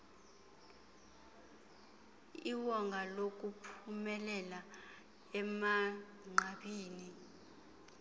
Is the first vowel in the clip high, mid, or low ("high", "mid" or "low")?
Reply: high